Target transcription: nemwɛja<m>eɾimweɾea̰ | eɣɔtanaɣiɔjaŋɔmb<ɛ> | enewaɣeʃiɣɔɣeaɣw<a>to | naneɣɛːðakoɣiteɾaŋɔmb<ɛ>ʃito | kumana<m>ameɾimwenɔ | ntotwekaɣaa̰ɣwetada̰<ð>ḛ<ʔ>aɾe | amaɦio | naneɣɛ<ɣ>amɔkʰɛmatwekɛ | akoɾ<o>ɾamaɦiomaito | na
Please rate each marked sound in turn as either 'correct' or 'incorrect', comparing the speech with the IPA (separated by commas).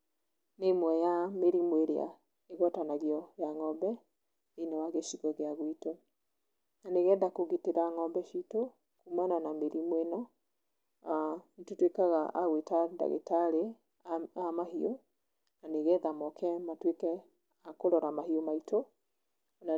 correct, correct, incorrect, correct, incorrect, incorrect, incorrect, incorrect, incorrect